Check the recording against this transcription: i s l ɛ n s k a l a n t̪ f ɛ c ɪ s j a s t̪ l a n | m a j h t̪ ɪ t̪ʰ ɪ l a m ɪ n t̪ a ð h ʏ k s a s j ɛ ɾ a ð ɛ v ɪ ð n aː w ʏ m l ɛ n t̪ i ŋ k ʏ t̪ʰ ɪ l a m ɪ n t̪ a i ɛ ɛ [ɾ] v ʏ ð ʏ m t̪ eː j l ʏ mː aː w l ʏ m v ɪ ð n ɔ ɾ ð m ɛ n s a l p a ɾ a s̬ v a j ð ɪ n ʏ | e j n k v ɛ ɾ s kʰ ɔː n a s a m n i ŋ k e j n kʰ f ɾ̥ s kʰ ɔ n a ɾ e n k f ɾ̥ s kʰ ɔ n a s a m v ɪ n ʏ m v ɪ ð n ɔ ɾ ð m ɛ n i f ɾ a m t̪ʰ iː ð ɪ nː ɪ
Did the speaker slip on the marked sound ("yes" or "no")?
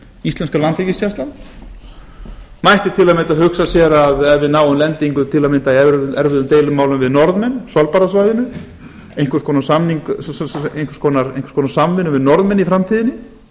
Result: no